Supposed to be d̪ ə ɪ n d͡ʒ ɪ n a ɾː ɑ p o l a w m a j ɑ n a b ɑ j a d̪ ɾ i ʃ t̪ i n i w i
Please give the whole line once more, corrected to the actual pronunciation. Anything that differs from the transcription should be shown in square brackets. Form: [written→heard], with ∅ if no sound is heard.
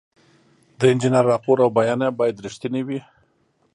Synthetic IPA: d̪ ə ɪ n d͡ʒ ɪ n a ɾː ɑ p o [l→ɾ] a w [m→b] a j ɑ n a b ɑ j a d̪ ɾ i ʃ t̪ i n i w i